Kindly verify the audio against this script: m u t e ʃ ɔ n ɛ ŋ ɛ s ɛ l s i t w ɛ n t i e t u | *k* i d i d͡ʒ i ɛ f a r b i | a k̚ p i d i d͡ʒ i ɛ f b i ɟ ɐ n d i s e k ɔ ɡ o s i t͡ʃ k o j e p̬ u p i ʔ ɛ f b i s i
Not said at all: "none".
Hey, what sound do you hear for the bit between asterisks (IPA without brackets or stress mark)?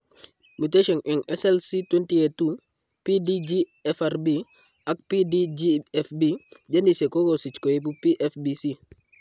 p